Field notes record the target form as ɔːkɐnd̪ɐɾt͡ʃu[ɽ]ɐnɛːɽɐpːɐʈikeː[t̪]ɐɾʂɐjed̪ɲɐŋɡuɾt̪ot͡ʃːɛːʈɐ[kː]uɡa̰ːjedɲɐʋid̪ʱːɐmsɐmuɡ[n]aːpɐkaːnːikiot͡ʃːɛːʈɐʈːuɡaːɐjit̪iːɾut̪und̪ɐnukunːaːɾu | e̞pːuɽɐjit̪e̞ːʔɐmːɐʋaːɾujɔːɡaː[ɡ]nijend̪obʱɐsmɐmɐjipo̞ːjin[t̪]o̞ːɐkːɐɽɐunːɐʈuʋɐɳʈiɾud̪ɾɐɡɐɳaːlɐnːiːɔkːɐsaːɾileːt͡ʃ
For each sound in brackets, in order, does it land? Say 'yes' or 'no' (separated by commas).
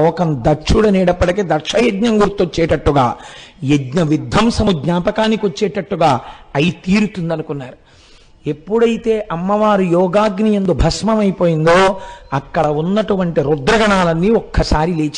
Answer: yes, no, no, no, yes, no